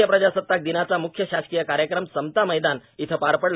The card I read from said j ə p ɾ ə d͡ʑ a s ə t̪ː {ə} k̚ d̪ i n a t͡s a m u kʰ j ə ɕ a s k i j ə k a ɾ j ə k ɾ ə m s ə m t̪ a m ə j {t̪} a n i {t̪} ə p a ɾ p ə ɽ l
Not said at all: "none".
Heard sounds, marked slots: a, d̪, t̪ʰ

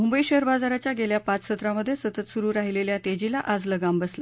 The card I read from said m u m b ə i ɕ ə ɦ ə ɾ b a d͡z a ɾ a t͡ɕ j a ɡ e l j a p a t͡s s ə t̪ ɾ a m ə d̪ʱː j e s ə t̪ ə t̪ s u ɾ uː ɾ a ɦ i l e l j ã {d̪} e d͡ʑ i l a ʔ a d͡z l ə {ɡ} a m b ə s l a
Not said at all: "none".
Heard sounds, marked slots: t̪, ɡ

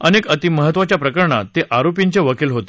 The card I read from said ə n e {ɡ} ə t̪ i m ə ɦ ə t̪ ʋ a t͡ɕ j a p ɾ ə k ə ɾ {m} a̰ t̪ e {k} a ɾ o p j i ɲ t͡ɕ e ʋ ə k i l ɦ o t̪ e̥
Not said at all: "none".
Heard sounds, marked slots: k, ɳ, ʔ

